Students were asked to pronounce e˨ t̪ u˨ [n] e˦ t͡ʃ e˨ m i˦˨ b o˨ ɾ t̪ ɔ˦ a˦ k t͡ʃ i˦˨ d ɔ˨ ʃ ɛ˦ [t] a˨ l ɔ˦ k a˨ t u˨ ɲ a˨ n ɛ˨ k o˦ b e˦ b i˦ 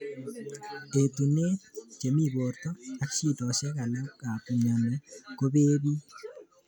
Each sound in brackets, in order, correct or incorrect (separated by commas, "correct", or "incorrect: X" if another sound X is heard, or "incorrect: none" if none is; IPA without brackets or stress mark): correct, incorrect: k